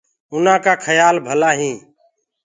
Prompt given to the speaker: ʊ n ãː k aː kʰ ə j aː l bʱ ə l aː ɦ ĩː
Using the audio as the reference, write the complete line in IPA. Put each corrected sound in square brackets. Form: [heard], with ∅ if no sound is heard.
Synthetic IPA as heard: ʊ n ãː k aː kʰ ə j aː l bʱ ə l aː ɦ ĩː